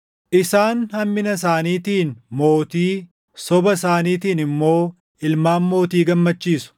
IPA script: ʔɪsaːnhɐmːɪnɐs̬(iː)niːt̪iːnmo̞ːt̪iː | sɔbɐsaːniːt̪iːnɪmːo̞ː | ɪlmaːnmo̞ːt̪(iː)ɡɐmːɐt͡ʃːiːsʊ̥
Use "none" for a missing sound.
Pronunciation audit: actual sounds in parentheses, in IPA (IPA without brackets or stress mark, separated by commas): aː, iː